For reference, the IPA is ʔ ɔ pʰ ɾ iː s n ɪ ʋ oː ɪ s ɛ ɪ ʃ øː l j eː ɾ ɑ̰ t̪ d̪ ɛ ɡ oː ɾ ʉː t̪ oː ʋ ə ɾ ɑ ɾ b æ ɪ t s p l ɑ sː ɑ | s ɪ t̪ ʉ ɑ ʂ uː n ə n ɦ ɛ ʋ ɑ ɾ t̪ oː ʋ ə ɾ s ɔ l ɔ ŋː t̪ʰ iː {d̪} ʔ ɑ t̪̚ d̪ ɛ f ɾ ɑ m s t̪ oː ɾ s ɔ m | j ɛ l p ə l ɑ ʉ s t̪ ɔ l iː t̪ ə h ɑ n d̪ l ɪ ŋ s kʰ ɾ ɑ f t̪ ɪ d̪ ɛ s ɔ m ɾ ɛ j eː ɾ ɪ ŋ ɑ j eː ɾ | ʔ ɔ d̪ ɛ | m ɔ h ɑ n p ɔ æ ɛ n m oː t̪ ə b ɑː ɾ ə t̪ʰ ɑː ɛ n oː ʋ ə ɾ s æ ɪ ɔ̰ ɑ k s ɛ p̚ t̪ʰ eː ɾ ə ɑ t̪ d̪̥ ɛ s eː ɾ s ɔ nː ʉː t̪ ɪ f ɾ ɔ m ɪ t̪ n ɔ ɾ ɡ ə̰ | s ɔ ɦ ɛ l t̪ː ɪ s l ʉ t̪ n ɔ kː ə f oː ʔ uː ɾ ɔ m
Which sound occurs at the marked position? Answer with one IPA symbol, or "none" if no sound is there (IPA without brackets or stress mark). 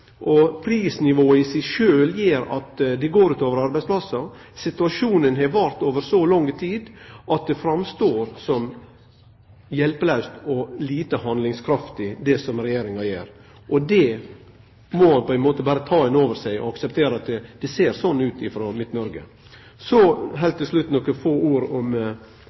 d̪